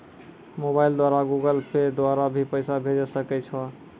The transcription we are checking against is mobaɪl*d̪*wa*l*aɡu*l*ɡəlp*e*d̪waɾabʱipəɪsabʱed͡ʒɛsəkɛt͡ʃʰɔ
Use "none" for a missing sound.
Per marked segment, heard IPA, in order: d̪, ɾ, none, e

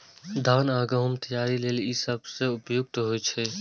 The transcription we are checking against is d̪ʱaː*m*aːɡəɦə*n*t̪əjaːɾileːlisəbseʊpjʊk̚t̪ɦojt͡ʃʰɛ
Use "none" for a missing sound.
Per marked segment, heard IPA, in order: n, m

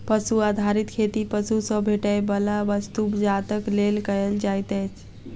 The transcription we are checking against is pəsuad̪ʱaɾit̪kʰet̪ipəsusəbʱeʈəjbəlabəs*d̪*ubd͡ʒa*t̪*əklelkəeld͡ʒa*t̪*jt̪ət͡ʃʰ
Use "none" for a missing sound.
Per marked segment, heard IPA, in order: t̪, t̪, none

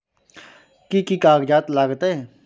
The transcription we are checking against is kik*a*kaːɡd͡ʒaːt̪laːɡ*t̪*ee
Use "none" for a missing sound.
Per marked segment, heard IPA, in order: i, t̪

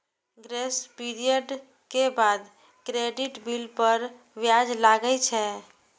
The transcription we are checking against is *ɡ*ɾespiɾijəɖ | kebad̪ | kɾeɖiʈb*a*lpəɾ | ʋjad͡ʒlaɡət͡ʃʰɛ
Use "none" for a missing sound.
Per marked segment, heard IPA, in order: ɡ, i

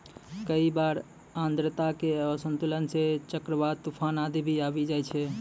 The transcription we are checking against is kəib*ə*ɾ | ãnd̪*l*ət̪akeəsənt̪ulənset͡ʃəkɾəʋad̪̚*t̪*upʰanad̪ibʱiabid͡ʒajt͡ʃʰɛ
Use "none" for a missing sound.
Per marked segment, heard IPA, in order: a, ɾ, t̪

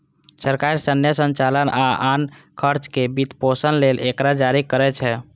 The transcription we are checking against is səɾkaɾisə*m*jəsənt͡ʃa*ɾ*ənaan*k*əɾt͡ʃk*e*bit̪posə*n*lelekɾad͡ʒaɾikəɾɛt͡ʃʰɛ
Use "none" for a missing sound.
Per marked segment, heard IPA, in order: n, l, kʰ, e, n

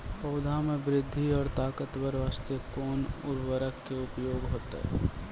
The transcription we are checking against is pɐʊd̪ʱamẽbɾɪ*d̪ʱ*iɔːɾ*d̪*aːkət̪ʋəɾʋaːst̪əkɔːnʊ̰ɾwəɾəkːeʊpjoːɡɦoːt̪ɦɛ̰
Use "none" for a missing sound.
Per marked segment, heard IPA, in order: d̪ʱː, t̪

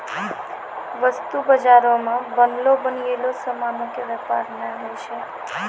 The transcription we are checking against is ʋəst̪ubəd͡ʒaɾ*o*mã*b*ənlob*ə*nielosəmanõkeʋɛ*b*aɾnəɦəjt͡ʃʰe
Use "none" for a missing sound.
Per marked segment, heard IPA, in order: o, b, ə, p

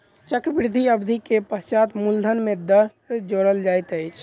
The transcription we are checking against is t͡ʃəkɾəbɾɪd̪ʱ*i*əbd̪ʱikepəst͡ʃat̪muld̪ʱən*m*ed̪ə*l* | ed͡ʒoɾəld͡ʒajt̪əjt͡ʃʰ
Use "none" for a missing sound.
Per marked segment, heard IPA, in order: i, m, ɾ

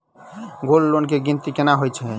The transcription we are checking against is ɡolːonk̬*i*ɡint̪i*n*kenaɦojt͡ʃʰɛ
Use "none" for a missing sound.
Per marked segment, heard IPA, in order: e, none

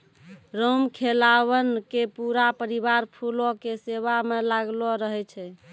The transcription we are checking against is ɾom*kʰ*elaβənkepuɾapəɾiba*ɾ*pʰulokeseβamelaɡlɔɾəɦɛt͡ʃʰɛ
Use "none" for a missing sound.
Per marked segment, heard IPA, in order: kʰ, ɾ

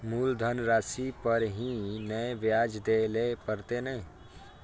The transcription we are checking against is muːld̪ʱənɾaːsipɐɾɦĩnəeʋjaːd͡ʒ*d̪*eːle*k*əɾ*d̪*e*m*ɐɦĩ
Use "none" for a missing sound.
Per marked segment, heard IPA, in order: d̪, p, t̪, n

